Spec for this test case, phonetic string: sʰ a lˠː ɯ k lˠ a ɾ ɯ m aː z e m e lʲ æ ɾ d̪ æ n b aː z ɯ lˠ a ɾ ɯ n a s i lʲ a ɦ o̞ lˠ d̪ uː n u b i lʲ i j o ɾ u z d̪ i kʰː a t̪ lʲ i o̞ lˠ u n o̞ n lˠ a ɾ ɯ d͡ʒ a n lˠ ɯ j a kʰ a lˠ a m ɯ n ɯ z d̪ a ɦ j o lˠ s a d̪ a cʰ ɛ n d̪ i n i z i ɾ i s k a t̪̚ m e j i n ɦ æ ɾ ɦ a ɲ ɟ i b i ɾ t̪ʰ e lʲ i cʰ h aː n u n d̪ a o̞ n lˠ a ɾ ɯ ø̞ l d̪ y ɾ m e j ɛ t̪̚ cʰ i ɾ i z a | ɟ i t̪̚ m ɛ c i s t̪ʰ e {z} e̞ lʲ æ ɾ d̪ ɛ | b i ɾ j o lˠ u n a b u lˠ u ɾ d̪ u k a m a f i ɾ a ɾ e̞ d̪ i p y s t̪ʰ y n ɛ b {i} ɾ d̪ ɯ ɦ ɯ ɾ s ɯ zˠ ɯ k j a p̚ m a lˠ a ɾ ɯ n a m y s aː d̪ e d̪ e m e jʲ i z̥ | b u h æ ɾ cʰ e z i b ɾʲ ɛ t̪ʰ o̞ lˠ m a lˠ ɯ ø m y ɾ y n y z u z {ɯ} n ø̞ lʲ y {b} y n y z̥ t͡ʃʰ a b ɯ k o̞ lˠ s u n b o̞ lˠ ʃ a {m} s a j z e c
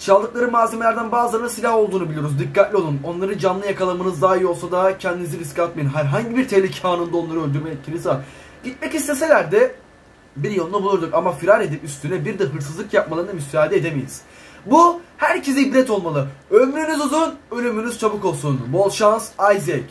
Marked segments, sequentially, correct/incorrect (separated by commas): incorrect, correct, incorrect, incorrect, incorrect